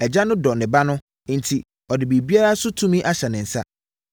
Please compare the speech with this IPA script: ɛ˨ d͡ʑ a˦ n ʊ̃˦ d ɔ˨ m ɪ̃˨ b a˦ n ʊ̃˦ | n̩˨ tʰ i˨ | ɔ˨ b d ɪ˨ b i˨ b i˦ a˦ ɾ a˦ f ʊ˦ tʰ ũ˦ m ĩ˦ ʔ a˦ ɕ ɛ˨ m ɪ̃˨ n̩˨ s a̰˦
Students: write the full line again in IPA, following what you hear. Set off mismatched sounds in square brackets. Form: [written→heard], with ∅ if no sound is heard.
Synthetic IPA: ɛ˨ d͡ʑ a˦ n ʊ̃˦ d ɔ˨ [m→n] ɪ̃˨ b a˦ n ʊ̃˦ | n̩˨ tʰ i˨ | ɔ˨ [b→∅] d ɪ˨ b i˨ b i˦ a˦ ɾ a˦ [f→s] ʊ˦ tʰ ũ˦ m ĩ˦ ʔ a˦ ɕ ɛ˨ [m→n] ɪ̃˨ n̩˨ s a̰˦